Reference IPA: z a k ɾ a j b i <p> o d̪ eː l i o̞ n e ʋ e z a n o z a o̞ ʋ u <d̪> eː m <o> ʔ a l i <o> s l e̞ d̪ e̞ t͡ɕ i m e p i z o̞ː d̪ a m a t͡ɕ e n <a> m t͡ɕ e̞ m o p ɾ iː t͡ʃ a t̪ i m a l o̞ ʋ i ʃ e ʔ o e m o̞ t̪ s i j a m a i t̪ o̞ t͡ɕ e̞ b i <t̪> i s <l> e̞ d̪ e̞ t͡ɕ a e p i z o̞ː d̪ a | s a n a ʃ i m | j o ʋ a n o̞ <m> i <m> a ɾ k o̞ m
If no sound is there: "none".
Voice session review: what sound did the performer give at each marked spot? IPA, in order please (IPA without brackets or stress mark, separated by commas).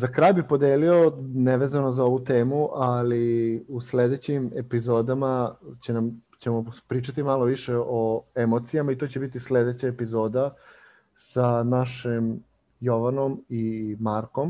p, t̪, u, u, a, t̪, l, m, m